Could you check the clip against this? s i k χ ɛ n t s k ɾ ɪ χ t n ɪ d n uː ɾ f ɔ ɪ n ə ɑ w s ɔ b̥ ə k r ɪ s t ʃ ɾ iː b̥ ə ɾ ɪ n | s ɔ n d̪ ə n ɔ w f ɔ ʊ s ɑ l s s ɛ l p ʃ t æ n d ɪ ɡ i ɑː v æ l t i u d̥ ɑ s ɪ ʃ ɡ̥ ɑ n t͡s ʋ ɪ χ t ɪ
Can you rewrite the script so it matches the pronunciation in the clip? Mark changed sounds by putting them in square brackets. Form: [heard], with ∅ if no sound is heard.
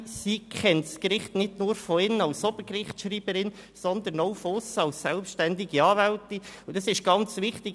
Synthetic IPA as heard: s i k χ ɛ n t s k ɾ ɪ χ t n ɪ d n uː ɾ f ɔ ɪ n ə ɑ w s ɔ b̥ ə k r ɪ [χ] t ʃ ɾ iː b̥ ə ɾ ɪ n | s ɔ n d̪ ə n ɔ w f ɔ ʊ s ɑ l s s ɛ l p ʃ t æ n d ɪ ɡ i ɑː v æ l t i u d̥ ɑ s ɪ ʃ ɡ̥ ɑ n t͡s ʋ ɪ χ t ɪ

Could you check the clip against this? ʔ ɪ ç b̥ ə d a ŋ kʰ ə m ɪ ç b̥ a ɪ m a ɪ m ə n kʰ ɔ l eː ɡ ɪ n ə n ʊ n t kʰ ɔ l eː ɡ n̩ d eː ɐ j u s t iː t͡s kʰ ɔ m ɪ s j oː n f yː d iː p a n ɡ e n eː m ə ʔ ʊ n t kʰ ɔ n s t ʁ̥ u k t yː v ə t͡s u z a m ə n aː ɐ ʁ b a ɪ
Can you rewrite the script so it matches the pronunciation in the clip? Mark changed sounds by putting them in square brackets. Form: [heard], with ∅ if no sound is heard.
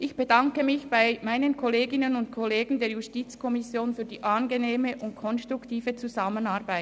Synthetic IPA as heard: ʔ ɪ ç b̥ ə d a ŋ [k] ə m ɪ ç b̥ a ɪ m a ɪ [n] ə n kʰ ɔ l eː ɡ ɪ n ə n ʊ n t kʰ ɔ l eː ɡ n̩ d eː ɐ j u s t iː t͡s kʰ ɔ m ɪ s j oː n f yː d iː [ʔ] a n ɡ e n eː m ə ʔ ʊ n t kʰ ɔ n s t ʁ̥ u k t [iː] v ə t͡s u z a m ə n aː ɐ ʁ b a ɪ

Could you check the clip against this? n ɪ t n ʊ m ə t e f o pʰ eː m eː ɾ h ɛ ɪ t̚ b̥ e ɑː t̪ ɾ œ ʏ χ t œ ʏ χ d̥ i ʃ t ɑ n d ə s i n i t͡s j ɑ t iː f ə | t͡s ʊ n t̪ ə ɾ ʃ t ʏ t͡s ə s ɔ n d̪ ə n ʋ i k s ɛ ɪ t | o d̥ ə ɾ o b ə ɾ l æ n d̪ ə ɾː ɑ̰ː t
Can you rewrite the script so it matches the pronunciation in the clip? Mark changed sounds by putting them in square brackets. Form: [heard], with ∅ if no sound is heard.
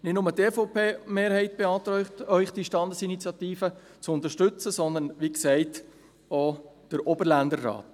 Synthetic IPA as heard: n ɪ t n ʊ m ə t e f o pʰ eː m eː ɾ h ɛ ɪ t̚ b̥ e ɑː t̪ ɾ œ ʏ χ t œ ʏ χ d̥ i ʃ t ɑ n d ə s i n i t͡s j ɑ t iː f ə | t͡s ʊ n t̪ ə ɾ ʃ t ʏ t͡s ə s ɔ n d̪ ə n ʋ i k s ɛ ɪ t | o d̥ ə ɾ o b ə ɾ l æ n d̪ ə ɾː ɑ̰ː t

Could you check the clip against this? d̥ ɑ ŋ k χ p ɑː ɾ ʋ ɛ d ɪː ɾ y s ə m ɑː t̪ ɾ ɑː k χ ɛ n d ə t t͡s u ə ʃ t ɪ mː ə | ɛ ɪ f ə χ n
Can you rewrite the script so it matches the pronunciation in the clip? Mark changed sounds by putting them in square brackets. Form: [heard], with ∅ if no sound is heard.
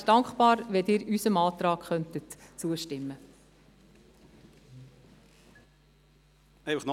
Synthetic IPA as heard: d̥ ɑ ŋ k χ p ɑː ɾ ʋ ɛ d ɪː ɾ y s ə m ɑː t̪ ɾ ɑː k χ [œ] n [t] ə t t͡s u ə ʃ t ɪ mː ə | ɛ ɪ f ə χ n

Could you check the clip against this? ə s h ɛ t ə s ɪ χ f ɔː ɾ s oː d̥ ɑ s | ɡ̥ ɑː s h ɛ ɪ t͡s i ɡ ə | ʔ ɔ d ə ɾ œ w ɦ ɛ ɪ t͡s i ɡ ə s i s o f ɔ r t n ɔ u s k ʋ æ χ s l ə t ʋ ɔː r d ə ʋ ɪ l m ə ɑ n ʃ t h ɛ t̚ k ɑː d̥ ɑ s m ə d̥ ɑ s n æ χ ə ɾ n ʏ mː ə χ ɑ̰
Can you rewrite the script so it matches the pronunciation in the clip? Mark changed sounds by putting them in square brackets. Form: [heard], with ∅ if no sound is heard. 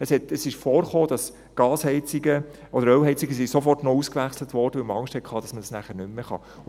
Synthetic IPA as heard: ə s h ɛ t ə s ɪ [ʃ] f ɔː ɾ [χ] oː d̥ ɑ s | ɡ̥ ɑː s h ɛ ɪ t͡s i ɡ ə | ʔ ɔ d ə ɾ œ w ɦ ɛ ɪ t͡s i ɡ ə s i s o f ɔ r t n ɔ u s k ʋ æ χ s l ə t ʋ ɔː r d ə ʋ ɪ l m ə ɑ [ŋ] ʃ t h ɛ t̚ [kʰ] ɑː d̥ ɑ s m ə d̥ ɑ s n æ χ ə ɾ n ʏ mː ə χ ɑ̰

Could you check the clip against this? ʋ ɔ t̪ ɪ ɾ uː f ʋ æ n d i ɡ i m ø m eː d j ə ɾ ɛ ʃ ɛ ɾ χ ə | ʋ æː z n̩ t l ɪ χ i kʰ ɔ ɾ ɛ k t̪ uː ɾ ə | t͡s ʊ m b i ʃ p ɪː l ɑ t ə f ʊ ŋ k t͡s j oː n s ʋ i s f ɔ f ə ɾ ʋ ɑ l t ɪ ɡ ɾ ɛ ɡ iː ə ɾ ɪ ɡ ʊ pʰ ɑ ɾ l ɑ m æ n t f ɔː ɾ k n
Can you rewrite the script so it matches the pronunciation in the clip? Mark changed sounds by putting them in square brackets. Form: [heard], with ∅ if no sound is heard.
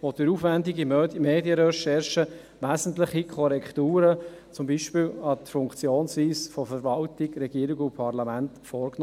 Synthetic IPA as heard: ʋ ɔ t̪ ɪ ɾ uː f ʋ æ n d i ɡ i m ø m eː d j ə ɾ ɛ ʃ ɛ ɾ [ʃ] ə | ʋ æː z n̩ t l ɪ χ i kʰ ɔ ɾ ɛ k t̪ uː ɾ ə | t͡s ʊ m b i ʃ p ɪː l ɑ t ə f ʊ ŋ k t͡s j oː n s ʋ [iː] s f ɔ f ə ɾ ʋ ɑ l t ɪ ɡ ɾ ɛ ɡ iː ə ɾ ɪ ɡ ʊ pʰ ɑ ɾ l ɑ m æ n t f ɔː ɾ k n

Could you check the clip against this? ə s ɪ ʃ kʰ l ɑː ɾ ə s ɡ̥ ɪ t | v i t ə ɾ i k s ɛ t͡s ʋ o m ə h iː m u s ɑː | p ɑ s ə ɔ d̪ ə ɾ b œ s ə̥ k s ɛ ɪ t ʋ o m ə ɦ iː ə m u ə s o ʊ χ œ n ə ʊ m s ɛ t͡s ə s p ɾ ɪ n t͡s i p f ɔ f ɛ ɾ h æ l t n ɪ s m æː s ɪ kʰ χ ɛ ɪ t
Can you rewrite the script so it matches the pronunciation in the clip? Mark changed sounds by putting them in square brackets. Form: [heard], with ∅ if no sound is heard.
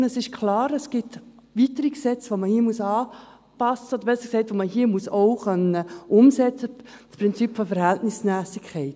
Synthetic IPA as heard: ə s ɪ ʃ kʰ l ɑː ɾ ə s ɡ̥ ɪ t | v i t ə ɾ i k s ɛ t͡s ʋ o m ə h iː m u s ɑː | p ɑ s ə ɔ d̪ ə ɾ b [ɛ] s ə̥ k s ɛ ɪ t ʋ o m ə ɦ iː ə m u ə s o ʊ χ œ n ə ʊ m s ɛ t͡s ə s p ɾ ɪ n t͡s i p f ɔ f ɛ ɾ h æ l t n ɪ s m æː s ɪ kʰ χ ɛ ɪ t

